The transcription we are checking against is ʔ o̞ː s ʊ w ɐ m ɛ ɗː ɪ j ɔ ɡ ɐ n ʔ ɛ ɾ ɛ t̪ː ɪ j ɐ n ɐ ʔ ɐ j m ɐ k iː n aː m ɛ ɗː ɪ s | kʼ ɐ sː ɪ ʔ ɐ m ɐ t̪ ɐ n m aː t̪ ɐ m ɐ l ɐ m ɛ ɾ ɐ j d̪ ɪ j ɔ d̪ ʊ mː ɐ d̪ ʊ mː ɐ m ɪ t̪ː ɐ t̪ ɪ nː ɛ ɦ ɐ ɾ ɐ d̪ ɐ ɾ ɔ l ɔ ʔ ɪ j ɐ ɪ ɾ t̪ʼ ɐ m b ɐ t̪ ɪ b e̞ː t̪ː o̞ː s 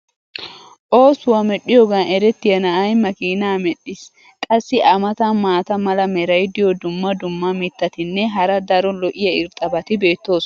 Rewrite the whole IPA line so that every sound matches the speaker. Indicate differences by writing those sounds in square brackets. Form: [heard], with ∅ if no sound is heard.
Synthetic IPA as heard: ʔ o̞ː s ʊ w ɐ m ɛ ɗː ɪ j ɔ ɡ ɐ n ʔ ɛ ɾ ɛ t̪ː ɪ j ɐ n ɐ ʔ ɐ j m ɐ k iː n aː m ɛ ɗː ɪ s | kʼ ɐ sː ɪ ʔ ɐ m ɐ t̪ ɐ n m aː t̪ ɐ m ɐ l ɐ m ɛ ɾ ɐ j d̪ ɪ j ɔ d̪ ʊ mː ɐ d̪ ʊ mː ɐ m ɪ t̪ː ɐ t̪ ɪ nː ɛ ɦ ɐ ɾ ɐ d̪ ɐ ɾ ɔ l ɔ ʔ ɪ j ɐ ɪ ɾ t̪ʼ ɐ [∅] b ɐ t̪ ɪ b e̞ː t̪ː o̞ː s